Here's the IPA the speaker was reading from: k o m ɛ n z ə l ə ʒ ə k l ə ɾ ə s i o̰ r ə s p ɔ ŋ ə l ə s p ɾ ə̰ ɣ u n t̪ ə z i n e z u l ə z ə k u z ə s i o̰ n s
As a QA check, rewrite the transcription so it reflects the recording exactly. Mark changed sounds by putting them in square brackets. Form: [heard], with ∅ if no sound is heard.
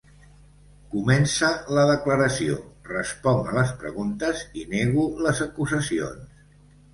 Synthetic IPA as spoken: k [u] m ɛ n [s] ə l ə [ð] ə k l ə ɾ ə s i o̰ r ə s p ɔ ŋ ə l ə s p ɾ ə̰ ɣ u n t̪ ə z i n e [ɣ] u l ə z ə k u z ə s i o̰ n s